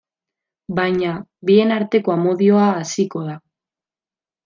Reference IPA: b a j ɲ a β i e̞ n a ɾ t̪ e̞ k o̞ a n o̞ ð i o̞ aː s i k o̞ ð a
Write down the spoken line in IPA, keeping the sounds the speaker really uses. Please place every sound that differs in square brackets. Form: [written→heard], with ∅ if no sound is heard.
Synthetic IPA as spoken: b a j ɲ a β i e̞ n a ɾ t̪ e̞ k o̞ a [n→m] o̞ ð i o̞ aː s i k o̞ ð a